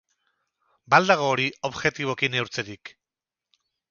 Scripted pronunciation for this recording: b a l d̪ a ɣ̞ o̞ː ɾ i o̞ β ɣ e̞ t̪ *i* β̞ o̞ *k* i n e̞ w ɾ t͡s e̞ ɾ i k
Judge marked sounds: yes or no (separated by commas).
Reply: yes, yes